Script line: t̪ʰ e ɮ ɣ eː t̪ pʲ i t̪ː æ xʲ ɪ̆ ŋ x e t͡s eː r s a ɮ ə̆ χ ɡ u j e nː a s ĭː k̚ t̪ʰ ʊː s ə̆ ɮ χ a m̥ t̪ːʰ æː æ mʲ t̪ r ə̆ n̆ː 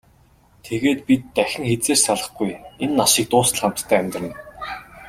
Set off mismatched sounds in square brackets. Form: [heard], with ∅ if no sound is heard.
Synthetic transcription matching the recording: t̪ʰ e [∅] ɣ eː t̪ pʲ i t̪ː æ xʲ ɪ̆ ŋ x e t͡s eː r s a ɮ ə̆ χ ɡ u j e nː a [ʃ] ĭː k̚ [t̪] ʊː s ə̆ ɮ χ a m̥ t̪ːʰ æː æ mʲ t̪ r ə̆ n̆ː